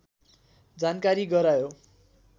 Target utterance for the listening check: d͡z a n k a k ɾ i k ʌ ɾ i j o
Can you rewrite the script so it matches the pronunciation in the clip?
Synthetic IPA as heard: d͡z a n k a ɾ i ɡ ʌ ɾ a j o